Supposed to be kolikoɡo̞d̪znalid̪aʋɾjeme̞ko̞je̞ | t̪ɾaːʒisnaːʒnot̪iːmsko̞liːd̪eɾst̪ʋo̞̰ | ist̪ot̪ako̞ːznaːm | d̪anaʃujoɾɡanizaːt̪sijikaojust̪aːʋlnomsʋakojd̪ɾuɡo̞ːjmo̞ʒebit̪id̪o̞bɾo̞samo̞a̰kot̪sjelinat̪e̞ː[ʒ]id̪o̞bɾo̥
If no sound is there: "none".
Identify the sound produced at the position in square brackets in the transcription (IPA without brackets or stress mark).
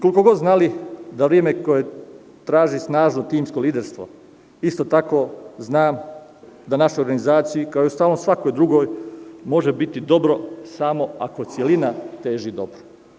ʒ